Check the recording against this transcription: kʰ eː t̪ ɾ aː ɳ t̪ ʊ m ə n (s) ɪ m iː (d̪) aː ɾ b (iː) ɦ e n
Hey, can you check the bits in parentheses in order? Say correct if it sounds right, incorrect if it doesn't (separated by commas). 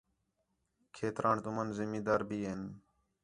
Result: incorrect, correct, correct